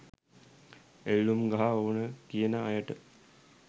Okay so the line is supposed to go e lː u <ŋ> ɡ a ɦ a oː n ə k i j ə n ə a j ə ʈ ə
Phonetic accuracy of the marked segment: incorrect: m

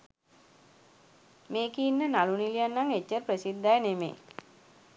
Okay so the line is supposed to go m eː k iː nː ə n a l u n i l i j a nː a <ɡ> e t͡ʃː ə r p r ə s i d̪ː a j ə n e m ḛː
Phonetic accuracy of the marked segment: incorrect: ŋ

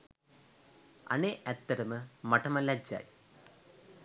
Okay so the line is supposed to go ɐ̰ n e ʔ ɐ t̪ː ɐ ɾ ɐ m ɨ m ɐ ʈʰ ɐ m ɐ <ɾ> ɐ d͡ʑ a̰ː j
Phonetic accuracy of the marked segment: incorrect: l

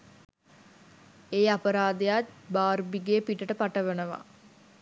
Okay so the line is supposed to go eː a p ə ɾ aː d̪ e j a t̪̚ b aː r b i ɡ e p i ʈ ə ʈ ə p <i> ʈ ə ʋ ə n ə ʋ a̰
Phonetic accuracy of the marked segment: incorrect: a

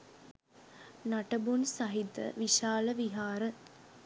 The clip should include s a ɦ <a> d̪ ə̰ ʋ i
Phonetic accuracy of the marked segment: incorrect: i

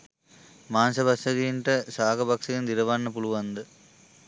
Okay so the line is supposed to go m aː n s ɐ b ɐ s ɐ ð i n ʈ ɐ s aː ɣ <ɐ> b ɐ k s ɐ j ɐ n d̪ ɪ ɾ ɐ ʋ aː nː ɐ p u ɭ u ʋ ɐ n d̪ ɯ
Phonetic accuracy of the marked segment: correct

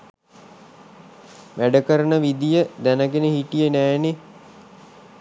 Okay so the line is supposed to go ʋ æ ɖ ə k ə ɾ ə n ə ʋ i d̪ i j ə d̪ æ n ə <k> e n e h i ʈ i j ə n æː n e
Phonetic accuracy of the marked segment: incorrect: ɡ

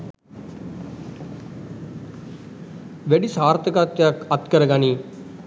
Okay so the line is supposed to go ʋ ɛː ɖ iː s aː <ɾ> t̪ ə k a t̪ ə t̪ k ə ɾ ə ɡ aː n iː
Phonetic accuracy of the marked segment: correct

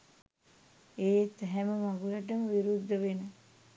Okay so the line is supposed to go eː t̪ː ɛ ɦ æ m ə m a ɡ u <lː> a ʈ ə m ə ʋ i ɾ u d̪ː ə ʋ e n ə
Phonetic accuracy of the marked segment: incorrect: l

